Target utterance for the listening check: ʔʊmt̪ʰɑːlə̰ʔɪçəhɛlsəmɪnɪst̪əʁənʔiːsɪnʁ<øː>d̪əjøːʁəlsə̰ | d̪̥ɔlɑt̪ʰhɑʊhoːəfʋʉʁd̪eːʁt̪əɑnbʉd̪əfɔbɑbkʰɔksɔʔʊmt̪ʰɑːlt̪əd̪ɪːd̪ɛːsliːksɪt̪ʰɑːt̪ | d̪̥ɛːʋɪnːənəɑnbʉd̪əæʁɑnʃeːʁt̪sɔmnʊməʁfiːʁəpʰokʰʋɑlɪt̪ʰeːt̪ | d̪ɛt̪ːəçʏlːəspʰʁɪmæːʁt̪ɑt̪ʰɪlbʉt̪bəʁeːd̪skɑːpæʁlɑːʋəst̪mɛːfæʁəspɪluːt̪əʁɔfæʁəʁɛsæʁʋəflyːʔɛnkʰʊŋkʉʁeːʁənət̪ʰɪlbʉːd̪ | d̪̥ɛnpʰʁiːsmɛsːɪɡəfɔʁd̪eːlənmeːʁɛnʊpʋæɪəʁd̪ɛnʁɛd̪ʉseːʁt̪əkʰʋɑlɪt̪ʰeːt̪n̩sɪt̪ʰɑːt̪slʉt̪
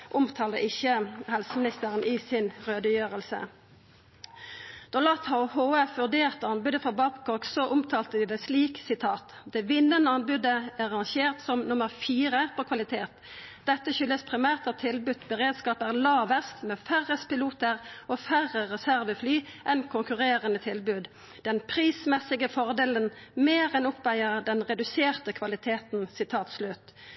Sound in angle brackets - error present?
no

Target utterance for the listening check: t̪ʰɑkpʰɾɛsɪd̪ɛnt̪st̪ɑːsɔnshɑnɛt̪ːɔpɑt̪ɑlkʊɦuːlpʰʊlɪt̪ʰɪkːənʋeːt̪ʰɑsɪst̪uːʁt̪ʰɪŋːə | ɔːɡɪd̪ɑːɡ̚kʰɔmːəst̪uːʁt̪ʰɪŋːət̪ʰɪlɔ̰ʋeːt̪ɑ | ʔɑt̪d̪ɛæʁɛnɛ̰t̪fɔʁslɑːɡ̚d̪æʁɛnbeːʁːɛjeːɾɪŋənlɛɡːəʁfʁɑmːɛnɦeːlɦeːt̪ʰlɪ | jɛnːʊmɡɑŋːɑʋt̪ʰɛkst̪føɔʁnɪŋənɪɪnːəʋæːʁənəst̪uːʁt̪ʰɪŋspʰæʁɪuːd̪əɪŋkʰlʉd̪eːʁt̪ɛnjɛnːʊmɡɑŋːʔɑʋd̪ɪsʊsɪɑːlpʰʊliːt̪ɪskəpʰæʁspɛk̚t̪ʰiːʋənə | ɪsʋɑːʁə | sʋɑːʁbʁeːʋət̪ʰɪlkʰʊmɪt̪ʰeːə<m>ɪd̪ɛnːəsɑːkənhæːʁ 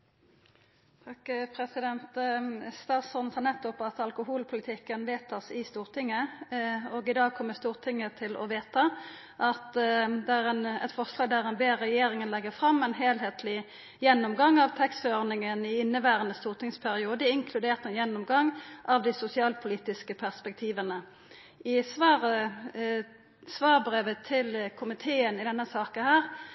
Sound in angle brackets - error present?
yes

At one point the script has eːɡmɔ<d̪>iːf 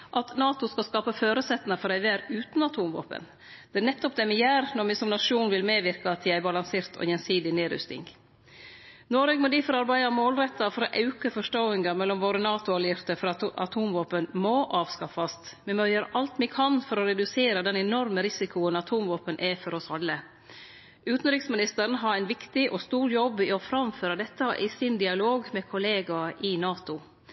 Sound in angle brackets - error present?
no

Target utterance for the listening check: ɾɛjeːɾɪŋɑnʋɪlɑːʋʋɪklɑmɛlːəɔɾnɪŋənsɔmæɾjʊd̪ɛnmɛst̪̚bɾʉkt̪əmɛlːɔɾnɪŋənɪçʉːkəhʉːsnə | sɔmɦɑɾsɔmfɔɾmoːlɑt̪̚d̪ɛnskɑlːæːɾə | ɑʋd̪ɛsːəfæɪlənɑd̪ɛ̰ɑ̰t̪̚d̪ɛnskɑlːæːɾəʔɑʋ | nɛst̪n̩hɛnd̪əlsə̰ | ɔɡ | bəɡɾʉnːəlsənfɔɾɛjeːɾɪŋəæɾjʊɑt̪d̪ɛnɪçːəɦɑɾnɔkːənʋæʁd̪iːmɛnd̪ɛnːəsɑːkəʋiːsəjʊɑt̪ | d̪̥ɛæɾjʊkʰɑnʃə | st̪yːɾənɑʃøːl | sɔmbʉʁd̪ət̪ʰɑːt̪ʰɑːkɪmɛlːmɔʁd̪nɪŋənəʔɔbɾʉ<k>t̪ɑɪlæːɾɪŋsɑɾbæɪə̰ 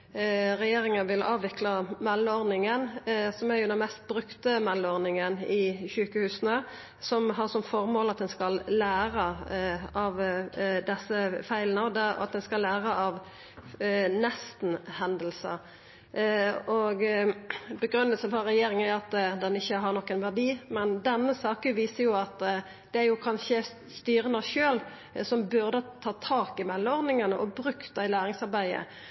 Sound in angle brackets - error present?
no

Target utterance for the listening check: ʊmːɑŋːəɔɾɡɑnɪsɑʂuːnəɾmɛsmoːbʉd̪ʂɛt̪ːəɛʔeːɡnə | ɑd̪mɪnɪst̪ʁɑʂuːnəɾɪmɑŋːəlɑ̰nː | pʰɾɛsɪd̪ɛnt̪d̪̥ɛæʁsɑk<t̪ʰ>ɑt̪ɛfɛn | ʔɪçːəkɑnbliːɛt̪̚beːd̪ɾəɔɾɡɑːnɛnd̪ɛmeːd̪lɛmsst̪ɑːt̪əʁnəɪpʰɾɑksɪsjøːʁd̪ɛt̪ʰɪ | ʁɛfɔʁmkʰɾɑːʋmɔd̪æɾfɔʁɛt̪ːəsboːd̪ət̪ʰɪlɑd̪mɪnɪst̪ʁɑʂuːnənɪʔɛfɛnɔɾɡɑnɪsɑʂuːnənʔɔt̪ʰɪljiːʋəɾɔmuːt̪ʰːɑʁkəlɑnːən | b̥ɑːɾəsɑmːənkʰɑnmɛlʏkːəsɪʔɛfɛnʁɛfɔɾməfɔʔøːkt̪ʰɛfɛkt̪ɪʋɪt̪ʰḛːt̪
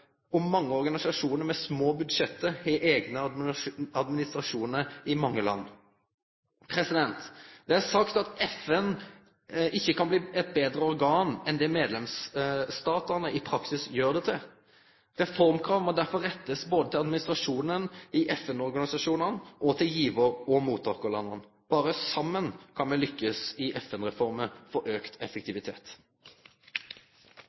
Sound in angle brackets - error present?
yes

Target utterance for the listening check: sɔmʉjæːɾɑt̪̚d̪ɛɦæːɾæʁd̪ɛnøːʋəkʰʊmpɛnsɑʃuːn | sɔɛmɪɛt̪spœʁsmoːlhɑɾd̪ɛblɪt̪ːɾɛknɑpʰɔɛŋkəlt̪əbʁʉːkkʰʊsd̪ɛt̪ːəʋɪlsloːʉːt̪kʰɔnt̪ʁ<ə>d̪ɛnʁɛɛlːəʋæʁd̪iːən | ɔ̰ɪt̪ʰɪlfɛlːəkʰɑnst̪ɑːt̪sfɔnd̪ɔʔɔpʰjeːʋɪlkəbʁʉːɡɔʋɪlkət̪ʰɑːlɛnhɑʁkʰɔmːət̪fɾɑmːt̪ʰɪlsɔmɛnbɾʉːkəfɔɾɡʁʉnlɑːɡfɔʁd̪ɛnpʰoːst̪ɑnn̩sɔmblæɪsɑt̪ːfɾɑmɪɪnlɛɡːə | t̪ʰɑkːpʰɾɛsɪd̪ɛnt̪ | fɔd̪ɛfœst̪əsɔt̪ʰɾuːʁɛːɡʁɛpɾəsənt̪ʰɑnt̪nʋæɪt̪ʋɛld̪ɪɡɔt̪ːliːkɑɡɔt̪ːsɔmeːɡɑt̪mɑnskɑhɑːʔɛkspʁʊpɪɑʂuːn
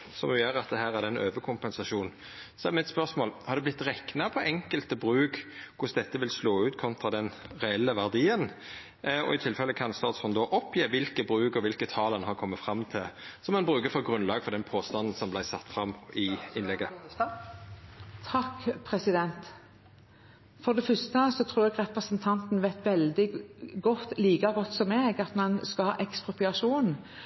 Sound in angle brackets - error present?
yes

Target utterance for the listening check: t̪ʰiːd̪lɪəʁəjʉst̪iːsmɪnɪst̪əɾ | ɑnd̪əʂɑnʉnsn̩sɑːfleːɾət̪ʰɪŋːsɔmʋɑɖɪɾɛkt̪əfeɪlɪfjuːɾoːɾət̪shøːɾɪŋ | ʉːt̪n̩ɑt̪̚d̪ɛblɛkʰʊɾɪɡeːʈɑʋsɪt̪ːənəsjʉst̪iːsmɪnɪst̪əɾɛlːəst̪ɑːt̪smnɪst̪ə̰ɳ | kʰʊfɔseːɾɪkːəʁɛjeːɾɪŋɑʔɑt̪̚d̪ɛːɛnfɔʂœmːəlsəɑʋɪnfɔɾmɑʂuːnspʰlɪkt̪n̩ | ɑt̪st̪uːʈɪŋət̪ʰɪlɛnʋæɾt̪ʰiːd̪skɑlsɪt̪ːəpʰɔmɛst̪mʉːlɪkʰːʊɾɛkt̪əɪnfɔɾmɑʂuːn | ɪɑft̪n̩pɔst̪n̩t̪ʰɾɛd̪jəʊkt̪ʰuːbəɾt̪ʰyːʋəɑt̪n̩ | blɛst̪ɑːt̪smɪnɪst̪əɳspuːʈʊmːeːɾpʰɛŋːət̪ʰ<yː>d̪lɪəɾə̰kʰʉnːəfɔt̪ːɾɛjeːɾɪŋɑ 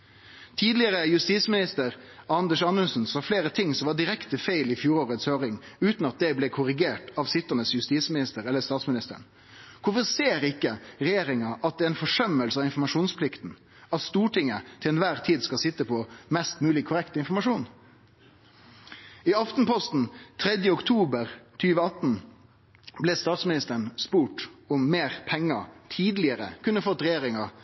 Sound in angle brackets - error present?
yes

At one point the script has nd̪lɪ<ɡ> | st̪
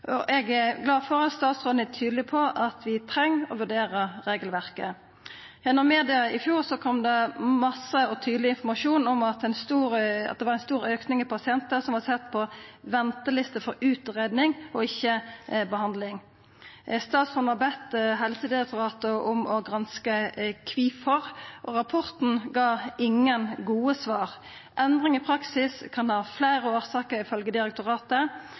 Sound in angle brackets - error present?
yes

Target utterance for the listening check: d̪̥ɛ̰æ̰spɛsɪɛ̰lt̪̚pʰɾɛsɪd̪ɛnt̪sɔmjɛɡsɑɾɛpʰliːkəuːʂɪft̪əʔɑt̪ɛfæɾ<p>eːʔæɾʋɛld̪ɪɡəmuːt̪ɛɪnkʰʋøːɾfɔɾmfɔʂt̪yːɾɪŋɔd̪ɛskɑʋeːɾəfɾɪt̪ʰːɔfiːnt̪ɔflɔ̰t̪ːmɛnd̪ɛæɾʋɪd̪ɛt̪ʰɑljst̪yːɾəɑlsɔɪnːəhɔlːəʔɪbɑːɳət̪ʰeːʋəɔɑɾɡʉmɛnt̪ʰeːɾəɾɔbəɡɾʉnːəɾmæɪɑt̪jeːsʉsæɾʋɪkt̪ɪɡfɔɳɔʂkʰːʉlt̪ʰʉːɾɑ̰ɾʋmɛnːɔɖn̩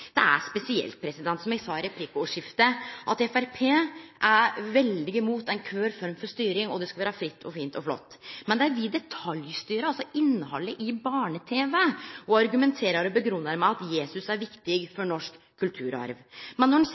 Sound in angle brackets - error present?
yes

